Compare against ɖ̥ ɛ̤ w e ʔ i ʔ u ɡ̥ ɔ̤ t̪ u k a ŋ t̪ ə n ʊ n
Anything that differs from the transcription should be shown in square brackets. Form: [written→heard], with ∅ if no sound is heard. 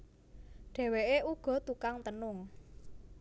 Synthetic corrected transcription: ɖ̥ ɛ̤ w e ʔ [i→e] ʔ u ɡ̥ ɔ̤ t̪ u k a ŋ t̪ ə n ʊ [n→ŋ]